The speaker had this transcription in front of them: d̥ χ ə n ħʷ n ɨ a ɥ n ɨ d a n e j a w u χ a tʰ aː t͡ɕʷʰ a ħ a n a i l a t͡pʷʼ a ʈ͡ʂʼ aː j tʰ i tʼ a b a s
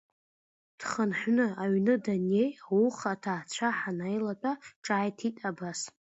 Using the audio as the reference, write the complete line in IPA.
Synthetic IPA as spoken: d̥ χ ə n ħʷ n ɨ a ɥ n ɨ d a n e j a w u χ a tʰ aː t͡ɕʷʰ a ħ a n a j l a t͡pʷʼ a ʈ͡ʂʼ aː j tʰ i tʼ a b a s